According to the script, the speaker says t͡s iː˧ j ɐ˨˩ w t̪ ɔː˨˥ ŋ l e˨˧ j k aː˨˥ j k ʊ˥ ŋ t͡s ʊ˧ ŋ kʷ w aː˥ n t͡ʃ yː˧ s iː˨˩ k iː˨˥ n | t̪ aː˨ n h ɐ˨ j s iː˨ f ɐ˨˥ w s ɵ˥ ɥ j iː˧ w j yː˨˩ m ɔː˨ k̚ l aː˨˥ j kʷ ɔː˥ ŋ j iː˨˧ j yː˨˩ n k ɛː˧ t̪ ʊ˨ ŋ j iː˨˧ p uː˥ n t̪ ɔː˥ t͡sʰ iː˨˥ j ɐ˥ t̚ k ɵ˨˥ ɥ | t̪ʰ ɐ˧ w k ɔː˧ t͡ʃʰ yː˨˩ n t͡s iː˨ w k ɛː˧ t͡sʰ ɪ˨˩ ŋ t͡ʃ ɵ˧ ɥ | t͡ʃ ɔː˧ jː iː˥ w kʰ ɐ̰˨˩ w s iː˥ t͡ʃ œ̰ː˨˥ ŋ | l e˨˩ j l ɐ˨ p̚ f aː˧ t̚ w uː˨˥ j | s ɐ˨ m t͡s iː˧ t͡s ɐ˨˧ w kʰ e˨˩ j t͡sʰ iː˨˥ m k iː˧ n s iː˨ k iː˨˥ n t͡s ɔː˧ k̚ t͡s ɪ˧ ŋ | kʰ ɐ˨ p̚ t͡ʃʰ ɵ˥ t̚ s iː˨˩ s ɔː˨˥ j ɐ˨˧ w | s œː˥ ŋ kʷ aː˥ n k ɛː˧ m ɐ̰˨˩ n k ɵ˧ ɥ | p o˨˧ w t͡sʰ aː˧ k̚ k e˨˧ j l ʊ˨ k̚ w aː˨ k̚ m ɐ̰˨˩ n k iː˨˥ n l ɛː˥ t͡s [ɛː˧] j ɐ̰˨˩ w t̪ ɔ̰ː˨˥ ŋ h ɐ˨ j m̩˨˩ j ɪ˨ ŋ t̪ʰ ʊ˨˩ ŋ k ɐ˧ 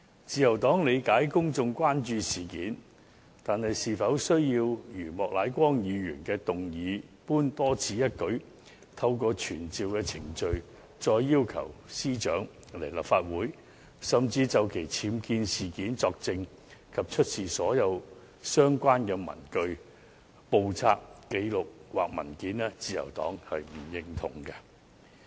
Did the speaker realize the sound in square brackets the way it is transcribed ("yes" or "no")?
no